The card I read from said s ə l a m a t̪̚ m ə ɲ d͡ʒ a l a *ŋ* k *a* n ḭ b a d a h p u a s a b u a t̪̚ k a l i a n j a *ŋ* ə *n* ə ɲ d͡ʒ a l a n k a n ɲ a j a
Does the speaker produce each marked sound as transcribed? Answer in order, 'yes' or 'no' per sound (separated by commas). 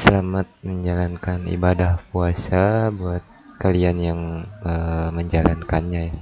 no, yes, yes, no